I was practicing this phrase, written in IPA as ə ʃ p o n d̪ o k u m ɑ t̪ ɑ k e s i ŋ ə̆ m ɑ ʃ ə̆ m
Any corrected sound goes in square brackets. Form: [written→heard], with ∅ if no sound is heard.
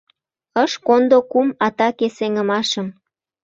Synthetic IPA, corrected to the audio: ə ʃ [p→k] o n d̪ o k u m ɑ t̪ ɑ k e s [i→e] ŋ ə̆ m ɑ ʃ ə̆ m